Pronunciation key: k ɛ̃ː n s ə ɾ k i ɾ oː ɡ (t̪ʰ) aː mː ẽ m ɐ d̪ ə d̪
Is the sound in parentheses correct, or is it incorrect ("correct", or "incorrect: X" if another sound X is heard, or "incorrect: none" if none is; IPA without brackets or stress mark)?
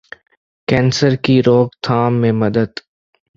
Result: correct